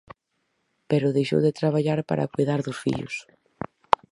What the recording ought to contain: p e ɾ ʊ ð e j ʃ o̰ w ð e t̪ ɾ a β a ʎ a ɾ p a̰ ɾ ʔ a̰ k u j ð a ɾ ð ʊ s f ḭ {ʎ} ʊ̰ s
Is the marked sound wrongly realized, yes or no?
no